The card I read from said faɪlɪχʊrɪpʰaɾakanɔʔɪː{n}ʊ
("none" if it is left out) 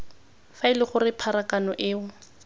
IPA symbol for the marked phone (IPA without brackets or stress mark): none